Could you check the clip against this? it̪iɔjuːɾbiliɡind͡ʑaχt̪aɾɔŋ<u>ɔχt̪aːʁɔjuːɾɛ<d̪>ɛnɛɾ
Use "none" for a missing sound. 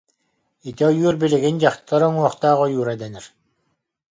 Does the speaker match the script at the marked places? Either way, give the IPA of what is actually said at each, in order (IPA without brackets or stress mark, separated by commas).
u, d̪